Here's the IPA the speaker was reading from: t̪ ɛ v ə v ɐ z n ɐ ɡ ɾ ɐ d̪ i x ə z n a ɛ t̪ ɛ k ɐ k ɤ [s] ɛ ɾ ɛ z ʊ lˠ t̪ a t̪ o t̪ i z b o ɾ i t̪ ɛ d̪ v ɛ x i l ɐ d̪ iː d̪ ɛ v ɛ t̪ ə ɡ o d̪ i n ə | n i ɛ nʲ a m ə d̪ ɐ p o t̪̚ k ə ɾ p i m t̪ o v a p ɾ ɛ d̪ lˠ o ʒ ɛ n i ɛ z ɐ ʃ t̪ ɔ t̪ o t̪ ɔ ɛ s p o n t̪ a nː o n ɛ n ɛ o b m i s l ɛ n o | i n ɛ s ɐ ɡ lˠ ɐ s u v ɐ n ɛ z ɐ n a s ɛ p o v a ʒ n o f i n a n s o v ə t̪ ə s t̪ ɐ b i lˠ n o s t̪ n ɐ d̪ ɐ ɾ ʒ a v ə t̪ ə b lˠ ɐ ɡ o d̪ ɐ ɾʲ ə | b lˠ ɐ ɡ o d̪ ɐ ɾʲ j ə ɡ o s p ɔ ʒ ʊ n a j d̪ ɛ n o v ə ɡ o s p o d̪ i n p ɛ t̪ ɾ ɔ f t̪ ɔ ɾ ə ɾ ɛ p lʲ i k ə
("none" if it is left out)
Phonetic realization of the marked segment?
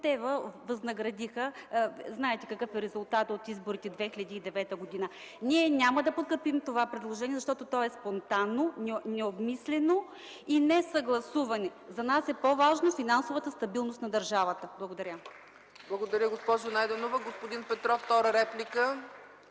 f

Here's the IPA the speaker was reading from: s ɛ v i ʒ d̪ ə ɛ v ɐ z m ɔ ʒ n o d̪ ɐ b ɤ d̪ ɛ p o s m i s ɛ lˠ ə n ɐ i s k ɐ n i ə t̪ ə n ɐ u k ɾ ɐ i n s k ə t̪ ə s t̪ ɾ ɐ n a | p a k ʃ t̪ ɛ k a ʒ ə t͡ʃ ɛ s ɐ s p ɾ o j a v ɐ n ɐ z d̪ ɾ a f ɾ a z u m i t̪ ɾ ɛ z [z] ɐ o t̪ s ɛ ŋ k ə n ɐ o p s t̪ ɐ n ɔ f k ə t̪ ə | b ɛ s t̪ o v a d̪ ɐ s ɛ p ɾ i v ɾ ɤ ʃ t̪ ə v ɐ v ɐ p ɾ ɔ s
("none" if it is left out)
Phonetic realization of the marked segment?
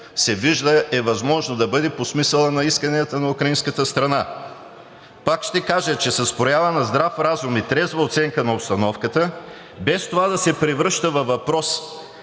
v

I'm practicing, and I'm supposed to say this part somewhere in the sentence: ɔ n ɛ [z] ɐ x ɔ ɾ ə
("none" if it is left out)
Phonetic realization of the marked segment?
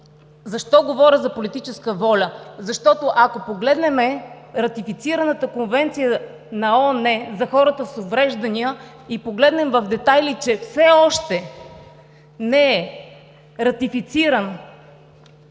z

